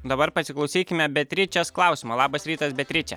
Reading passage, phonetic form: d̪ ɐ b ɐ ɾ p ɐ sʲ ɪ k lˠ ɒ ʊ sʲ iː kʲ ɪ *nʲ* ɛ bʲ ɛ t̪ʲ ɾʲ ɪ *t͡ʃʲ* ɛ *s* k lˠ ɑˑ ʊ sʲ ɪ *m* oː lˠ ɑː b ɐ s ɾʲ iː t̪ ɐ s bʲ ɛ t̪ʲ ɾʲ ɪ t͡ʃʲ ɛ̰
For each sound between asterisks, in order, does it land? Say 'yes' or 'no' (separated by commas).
no, yes, yes, yes